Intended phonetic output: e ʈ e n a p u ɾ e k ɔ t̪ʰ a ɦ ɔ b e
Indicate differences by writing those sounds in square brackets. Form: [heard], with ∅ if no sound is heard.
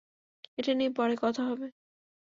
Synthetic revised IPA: e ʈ [a] n [i] p [ɔ] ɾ e k ɔ t̪ʰ a ɦ ɔ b e

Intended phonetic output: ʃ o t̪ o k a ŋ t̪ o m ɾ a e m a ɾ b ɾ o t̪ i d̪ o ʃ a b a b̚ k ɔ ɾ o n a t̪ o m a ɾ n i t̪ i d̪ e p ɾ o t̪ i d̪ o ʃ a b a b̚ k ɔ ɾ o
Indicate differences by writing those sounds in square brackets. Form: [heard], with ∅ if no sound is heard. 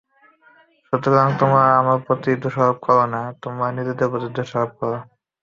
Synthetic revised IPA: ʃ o t̪ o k a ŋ t̪ o m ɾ a [a] m a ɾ [p] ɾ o t̪ i d̪ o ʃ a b a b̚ k ɔ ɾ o n a t̪ o m a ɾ n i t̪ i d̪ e p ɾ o t̪ i d̪ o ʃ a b a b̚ k ɔ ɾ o

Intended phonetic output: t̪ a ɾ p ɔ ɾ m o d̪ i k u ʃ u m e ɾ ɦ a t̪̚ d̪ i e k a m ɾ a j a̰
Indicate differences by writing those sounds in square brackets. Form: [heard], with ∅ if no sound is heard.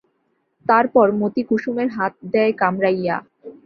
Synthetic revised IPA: t̪ a ɾ p ɔ ɾ m o [t̪] i k u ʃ u m e ɾ ɦ a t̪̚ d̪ [ɛ] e k a m ɾ a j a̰

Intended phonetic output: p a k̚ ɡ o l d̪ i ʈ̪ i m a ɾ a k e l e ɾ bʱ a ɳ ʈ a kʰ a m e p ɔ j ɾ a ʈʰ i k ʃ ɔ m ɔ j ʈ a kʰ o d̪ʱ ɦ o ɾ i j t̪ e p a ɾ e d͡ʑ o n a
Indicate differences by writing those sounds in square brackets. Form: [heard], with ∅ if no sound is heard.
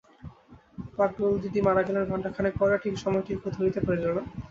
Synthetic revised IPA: p a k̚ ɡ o l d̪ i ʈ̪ i m a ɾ a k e l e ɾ bʱ a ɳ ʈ a kʰ a [n] e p ɔ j ɾ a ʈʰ i k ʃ ɔ m ɔ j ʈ [i] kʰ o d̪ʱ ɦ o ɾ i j t̪ e p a ɾ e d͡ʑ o n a

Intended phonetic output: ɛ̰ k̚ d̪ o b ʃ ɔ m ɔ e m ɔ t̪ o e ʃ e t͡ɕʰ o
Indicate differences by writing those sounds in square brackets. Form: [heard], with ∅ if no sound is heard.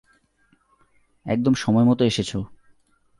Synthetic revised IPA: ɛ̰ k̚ d̪ o [m] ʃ ɔ m ɔ e m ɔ t̪ o e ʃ e t͡ɕʰ o

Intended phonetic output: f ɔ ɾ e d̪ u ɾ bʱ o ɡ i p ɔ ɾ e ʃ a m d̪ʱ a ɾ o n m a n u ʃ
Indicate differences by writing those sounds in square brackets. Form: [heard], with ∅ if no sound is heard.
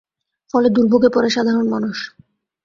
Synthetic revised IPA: f ɔ [l] e d̪ u ɾ bʱ o ɡ [e] p ɔ ɾ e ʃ a [∅] d̪ʱ a ɾ o n m a n u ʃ

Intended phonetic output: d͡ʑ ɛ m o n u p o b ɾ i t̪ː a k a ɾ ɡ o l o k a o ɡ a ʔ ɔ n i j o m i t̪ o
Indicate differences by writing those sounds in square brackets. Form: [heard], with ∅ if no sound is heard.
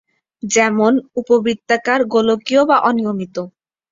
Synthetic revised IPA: d͡ʑ ɛ m o n u p o b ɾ i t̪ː a k a ɾ ɡ o l o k [i] o [b] a ʔ ɔ n i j o m i t̪ o

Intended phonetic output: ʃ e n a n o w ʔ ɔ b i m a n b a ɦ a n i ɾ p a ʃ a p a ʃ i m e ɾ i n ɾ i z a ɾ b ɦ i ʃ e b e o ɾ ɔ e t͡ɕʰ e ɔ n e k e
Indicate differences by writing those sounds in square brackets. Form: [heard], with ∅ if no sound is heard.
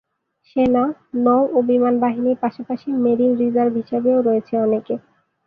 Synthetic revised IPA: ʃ e n a n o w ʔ [o] b i m a n b a ɦ [i] n i ɾ p a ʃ a p a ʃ i m e ɾ i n ɾ i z a ɾ b ɦ i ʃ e b e o ɾ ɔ e t͡ɕʰ e ɔ n e k e

